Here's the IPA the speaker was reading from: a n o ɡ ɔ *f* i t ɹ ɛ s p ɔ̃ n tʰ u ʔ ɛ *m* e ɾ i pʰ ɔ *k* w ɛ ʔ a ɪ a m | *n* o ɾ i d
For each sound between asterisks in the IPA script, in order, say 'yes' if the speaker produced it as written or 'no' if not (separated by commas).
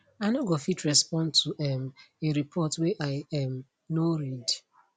yes, yes, no, yes